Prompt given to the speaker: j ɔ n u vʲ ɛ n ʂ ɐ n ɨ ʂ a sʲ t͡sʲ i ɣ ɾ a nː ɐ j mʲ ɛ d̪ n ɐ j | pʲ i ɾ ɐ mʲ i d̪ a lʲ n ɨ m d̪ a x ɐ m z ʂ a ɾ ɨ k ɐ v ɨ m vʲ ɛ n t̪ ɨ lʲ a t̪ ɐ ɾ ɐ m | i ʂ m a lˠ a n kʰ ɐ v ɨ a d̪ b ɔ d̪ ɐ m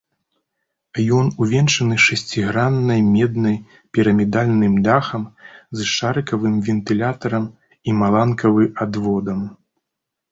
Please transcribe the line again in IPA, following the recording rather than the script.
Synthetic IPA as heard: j ɔ n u vʲ ɛ n ʂ ɐ n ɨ ʂ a sʲ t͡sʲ i ɣ ɾ a nː ɐ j mʲ ɛ d̪ n ɐ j | pʲ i ɾ ɐ mʲ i d̪ a lʲ n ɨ m d̪ a x ɐ m z ʂ a ɾ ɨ k ɐ v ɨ m vʲ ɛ n t̪ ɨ lʲ a t̪ ɐ ɾ ɐ m | i m a lˠ a n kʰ ɐ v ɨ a d̪ v ɔ d̪ ɐ m